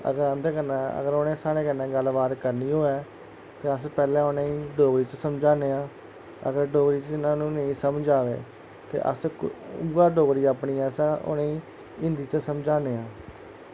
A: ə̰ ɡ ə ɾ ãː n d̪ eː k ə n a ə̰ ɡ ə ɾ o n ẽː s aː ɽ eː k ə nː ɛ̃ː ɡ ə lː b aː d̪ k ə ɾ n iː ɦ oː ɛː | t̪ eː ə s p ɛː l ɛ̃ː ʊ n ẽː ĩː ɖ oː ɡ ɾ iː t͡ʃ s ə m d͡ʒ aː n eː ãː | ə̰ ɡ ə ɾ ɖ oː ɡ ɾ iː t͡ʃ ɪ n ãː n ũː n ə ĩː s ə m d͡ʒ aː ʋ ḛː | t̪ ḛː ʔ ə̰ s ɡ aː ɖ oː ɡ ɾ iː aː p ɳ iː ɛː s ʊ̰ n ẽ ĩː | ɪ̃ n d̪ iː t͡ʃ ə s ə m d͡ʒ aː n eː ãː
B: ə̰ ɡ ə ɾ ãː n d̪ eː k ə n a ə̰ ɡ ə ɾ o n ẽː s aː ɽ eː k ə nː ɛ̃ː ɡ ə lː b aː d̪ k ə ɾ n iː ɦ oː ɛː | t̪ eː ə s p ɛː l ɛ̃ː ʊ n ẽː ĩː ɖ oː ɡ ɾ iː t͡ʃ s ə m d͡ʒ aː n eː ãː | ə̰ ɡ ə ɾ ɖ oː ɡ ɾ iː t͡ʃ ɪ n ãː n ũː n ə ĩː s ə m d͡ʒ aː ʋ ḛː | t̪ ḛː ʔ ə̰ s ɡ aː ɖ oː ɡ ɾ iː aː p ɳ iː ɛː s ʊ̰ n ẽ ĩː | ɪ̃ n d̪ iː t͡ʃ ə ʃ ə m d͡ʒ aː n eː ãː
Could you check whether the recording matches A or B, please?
A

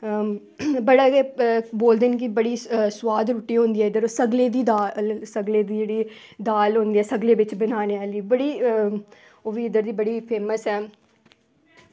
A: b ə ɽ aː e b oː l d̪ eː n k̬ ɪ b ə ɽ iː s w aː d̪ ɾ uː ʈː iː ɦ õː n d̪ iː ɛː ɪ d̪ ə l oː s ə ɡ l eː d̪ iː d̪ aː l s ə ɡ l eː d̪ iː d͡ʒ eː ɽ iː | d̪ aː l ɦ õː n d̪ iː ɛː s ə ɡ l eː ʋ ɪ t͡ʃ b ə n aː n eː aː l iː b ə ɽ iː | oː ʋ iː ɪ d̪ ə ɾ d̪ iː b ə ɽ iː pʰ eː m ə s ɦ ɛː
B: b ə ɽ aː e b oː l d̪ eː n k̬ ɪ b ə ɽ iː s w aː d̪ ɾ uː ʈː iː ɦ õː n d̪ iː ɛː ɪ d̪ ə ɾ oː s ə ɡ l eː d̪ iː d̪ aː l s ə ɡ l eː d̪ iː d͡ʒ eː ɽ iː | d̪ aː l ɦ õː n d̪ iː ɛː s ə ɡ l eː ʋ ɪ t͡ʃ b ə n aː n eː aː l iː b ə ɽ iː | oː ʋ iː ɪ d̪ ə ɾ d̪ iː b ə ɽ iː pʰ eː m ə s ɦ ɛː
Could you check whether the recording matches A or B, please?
B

